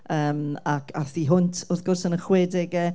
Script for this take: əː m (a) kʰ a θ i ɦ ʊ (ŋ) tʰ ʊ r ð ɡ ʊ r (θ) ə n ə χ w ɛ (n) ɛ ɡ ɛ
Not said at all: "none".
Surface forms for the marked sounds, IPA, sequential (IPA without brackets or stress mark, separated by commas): a, n, s, d